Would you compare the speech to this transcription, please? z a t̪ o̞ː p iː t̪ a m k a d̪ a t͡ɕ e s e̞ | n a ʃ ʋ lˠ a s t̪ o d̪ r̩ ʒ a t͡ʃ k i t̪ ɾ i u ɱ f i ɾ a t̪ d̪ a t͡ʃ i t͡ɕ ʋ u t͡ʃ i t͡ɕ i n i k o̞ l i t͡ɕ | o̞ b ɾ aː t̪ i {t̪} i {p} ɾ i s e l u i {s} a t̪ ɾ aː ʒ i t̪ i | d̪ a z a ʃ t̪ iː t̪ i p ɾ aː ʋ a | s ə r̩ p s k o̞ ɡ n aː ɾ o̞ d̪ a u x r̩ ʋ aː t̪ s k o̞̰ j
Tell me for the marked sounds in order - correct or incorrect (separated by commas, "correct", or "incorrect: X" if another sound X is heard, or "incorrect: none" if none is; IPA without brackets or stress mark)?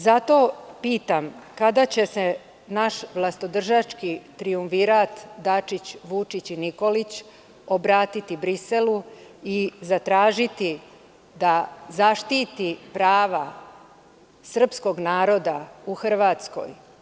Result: correct, incorrect: b, incorrect: z